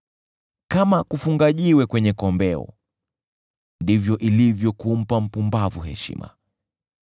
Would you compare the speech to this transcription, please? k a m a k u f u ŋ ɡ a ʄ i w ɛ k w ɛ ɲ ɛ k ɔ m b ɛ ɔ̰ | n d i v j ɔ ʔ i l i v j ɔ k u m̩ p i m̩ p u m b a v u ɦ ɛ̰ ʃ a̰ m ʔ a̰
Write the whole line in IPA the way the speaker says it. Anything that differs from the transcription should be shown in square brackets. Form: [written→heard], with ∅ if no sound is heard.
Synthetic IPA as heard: k a m a k u f u ŋ ɡ a ʄ i w ɛ k w ɛ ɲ ɛ k ɔ m b ɛ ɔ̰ | n d i v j ɔ ʔ i l i v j ɔ k u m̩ p [i→a] m̩ p u m b a v u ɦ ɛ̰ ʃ [a̰→ḭ] m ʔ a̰